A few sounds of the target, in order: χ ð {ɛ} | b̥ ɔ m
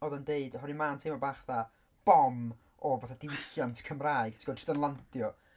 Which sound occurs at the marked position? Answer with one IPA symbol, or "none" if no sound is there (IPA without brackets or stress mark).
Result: a